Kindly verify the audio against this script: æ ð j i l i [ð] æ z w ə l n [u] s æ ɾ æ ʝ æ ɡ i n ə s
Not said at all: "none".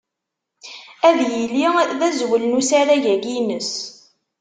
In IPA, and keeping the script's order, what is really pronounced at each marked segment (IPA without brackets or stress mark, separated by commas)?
ð, u